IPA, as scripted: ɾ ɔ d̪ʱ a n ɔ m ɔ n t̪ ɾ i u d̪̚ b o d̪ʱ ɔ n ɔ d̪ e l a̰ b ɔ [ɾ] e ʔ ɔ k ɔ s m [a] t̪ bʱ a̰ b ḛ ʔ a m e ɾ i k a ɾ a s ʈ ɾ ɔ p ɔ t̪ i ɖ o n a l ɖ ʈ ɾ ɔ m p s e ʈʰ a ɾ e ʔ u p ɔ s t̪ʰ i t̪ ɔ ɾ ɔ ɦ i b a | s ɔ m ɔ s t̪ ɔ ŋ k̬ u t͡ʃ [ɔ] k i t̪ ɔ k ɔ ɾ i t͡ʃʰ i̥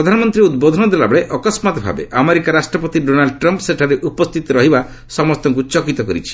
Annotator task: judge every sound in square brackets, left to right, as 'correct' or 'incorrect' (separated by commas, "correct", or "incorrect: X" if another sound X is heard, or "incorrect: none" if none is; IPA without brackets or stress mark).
incorrect: ɭ, correct, correct